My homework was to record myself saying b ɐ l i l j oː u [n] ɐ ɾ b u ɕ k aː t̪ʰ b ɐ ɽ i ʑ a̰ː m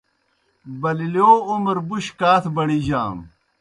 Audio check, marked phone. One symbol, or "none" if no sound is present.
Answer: m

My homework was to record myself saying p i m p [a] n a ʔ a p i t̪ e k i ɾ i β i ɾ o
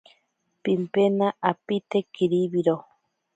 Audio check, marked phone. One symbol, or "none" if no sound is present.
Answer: e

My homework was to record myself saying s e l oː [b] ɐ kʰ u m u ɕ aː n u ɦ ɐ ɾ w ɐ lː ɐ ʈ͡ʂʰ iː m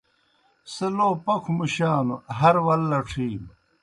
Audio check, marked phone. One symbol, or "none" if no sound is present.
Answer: p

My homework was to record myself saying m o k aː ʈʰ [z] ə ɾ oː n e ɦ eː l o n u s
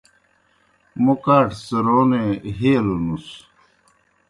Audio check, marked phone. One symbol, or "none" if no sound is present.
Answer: s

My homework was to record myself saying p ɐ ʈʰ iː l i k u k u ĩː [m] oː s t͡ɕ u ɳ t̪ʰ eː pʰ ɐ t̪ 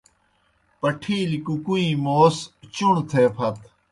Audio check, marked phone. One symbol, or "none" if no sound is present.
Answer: m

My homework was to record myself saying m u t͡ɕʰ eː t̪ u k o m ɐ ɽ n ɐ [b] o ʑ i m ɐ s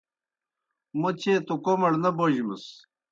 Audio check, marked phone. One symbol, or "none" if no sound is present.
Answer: b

